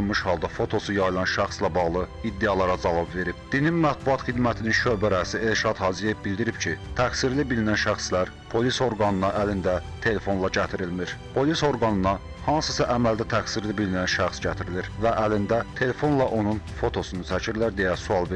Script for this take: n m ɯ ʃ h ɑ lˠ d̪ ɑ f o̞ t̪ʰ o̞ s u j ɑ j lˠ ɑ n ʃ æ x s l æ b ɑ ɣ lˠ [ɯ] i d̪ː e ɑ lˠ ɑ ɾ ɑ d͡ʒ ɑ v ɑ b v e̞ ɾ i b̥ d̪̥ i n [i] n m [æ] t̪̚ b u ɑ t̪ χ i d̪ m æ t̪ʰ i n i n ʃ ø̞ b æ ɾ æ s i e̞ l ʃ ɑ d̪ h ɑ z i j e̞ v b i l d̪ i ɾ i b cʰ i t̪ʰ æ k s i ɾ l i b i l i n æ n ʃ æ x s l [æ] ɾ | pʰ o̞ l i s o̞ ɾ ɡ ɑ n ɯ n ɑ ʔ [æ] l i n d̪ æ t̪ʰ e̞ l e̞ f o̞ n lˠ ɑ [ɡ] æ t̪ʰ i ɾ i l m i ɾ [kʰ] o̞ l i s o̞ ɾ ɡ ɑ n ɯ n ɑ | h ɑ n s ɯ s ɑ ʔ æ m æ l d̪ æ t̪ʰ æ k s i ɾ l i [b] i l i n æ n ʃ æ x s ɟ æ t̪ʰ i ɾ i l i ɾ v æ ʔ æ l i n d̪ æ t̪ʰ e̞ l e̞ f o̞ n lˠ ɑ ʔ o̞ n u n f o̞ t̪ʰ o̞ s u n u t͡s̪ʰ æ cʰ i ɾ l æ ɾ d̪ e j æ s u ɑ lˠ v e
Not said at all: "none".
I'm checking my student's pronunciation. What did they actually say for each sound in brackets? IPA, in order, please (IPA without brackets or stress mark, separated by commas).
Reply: ɯ, i, æ, æ, æ, ɟ, pʰ, b